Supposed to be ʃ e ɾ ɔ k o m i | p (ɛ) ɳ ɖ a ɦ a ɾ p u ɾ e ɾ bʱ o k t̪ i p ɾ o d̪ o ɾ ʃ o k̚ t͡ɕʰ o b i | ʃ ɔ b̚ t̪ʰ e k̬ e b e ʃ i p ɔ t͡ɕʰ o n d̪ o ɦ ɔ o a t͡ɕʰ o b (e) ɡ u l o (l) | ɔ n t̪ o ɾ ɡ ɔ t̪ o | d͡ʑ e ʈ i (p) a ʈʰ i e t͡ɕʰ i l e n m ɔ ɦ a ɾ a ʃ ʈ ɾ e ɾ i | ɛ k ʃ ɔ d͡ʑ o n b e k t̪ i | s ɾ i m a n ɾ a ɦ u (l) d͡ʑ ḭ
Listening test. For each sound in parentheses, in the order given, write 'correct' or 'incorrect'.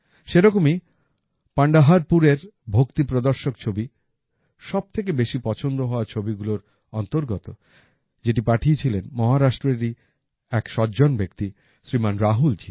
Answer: incorrect, incorrect, incorrect, correct, correct

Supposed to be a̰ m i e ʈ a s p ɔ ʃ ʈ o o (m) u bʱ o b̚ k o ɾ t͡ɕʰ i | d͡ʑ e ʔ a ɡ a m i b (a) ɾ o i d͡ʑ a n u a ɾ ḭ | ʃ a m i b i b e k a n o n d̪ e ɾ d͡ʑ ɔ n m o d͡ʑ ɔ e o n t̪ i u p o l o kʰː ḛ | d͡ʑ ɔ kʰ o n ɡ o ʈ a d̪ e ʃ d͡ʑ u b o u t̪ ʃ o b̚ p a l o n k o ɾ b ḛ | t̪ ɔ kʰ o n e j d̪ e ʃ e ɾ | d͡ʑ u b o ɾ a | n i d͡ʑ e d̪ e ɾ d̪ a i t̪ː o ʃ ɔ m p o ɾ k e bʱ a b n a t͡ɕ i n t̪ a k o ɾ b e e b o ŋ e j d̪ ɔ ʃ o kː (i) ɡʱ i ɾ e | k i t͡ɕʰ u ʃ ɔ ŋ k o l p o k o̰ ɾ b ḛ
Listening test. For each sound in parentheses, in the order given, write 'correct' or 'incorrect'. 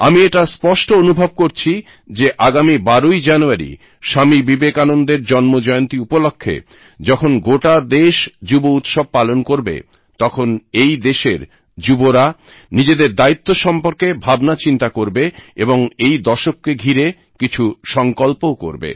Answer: incorrect, correct, incorrect

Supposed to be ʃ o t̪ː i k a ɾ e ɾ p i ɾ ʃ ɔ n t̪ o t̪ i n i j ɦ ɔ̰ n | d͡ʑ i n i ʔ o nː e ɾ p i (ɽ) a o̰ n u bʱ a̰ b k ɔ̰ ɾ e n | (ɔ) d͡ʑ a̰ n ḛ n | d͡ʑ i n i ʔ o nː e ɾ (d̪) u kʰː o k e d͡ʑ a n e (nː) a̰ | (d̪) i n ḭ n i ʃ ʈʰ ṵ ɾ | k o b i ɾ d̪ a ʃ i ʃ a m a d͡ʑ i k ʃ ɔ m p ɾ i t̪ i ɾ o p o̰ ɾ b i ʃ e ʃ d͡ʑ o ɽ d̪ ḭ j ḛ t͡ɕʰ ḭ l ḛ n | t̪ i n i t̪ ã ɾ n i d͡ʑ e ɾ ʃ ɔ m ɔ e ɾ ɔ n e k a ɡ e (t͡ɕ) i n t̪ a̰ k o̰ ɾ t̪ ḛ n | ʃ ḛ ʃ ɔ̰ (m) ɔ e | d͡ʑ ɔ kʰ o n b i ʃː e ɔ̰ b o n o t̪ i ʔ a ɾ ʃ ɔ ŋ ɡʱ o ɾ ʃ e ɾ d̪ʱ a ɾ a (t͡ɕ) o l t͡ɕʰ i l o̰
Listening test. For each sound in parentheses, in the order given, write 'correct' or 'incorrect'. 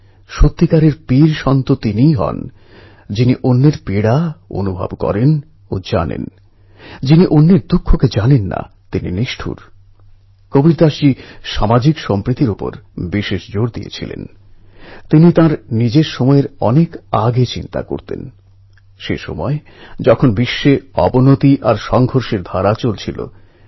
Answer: correct, incorrect, correct, correct, incorrect, correct, correct, correct

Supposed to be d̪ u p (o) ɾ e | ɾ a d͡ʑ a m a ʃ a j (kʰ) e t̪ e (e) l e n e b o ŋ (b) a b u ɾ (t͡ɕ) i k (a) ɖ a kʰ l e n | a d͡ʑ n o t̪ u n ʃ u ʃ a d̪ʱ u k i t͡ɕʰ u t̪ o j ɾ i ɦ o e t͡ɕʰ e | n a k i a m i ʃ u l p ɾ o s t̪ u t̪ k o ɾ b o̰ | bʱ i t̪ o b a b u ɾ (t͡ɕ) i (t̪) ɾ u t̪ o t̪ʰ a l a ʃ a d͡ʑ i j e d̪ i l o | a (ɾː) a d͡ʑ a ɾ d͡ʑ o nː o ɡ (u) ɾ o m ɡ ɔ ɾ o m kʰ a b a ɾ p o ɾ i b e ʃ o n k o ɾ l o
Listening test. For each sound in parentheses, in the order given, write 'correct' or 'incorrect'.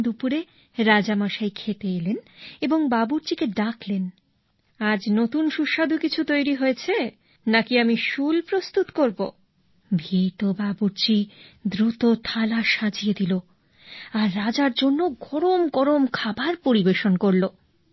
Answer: incorrect, correct, correct, correct, correct, incorrect, correct, incorrect, correct, incorrect

